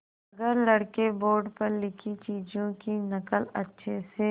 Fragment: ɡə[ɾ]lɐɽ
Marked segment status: correct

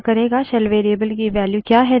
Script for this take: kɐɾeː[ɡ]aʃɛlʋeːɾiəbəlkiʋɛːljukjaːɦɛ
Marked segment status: correct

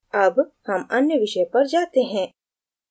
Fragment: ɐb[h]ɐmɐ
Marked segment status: correct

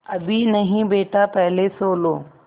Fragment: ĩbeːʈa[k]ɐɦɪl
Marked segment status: incorrect: p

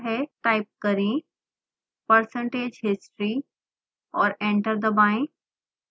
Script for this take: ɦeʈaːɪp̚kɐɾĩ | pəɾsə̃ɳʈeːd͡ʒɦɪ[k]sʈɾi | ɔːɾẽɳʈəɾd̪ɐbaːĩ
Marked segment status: incorrect: none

